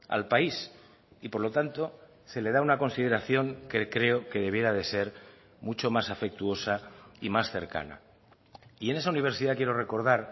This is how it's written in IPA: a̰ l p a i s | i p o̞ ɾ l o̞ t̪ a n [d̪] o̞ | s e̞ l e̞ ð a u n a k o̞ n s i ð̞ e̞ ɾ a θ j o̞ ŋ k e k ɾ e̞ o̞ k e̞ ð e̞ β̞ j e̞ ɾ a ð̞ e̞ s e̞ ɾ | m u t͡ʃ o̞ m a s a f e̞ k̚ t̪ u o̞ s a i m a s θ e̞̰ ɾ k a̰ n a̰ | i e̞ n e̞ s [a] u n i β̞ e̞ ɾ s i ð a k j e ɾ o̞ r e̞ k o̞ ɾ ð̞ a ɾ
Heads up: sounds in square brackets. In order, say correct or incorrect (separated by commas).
incorrect, correct